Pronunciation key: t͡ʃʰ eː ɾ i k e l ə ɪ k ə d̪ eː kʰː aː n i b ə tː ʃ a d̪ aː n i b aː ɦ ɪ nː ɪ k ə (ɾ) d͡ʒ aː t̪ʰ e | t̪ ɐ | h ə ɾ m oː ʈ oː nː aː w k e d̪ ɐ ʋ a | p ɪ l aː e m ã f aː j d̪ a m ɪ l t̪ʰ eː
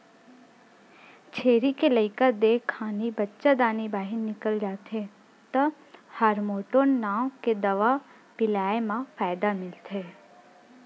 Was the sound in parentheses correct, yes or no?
no